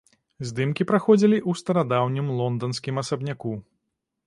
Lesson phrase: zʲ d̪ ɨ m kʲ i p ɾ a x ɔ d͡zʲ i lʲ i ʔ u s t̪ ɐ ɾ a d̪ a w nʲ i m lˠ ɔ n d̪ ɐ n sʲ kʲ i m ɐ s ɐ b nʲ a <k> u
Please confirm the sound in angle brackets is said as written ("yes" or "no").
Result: yes